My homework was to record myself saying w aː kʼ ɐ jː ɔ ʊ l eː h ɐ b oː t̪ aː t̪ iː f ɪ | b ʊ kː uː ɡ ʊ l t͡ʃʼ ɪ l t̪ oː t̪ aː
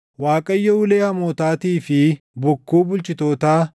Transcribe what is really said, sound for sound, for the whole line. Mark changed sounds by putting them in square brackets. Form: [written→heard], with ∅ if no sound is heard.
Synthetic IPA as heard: w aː kʼ ɐ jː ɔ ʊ l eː h ɐ [b→m] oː t̪ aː t̪ iː f ɪ | b ʊ kː uː [ɡ→b] ʊ l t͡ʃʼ ɪ [l→∅] t̪ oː t̪ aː